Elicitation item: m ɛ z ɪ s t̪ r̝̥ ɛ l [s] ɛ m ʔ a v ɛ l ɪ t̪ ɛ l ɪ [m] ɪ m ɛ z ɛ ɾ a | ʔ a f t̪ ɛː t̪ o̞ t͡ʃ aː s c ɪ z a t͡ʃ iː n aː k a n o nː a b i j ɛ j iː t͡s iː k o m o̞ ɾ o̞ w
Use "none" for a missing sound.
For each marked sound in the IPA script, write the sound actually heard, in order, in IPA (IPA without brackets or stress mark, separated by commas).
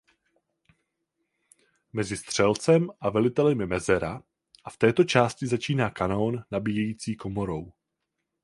t͡s, m